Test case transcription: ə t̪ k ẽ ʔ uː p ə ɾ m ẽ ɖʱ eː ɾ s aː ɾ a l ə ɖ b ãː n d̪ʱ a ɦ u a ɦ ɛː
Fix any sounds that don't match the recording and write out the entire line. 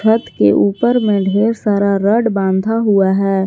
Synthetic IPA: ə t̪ k e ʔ uː p ə ɾ m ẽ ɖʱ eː ɾ s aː ɾ a ɾ ə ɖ b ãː n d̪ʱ a ɦ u a ɦ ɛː